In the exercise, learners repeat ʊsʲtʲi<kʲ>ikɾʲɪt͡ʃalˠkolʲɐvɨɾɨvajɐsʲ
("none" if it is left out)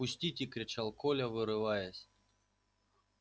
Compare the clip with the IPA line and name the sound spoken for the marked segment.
tʲ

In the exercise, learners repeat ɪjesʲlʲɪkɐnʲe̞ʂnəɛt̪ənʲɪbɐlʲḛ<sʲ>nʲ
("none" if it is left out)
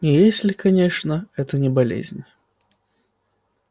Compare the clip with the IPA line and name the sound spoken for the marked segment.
zʲ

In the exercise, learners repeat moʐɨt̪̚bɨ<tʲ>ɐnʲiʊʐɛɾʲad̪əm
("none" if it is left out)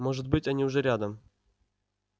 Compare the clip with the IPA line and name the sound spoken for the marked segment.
tʲ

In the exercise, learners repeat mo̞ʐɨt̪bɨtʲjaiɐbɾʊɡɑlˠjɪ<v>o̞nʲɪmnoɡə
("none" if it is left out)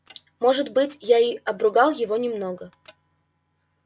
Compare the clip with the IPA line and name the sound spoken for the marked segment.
v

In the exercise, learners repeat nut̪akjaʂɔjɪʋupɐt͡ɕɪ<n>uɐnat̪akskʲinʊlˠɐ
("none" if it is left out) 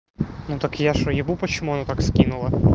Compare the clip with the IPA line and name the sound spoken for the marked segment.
m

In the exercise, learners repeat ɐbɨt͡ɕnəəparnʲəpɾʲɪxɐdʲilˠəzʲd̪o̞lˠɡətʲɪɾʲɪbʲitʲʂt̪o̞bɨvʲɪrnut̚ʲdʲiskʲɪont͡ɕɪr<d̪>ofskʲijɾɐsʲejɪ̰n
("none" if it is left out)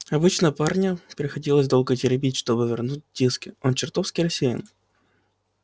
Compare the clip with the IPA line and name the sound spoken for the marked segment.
t̪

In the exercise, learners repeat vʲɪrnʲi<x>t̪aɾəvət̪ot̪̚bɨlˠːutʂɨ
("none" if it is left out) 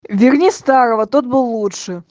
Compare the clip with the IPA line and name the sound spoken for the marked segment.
s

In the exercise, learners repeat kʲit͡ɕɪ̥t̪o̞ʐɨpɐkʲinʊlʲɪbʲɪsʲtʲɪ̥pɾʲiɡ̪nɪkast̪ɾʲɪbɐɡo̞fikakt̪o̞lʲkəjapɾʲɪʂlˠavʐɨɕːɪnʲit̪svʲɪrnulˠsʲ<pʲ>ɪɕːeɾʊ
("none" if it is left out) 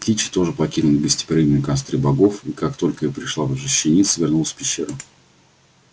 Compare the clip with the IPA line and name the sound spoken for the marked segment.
pʲ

